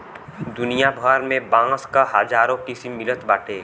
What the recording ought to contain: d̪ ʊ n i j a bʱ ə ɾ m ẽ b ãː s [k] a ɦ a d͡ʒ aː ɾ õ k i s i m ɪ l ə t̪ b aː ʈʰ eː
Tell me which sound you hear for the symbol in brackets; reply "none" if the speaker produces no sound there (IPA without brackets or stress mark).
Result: k